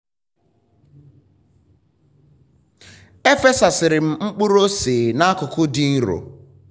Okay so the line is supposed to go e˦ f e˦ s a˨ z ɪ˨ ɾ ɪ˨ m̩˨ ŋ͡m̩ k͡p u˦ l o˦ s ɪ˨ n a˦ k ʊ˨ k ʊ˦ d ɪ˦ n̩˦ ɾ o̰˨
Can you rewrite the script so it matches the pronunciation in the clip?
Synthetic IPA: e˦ f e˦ s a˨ s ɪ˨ ɾ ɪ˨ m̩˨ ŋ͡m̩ k͡p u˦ ɾ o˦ s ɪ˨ n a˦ k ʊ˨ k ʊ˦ d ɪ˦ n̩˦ ɾ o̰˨